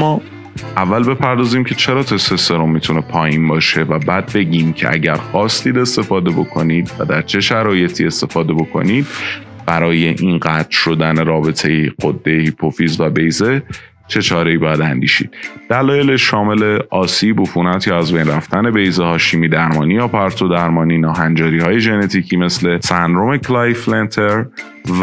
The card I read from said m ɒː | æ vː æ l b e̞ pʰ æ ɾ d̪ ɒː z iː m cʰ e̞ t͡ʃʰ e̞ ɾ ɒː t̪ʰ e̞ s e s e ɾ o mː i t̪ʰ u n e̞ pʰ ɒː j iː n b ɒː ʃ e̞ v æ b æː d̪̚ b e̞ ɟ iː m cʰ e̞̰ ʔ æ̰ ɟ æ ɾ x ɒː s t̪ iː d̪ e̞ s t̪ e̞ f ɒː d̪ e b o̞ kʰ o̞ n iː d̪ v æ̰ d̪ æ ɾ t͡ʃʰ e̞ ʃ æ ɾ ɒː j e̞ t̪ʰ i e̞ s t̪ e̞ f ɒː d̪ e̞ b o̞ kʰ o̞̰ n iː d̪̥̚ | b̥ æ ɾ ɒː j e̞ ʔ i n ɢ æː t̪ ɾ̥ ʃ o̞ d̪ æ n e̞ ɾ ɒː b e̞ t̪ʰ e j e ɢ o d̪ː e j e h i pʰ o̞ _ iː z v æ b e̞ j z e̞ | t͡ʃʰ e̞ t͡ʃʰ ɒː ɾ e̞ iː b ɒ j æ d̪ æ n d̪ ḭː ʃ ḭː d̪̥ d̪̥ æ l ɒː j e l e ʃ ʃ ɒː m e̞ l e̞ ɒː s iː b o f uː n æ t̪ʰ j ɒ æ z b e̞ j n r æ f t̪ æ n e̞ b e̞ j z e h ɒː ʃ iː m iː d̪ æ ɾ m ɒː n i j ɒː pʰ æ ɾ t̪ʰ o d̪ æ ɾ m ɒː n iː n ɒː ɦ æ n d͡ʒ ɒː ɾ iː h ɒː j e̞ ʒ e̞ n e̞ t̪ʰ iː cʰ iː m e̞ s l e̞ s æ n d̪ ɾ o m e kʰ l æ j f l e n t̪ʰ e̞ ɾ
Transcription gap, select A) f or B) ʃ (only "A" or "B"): A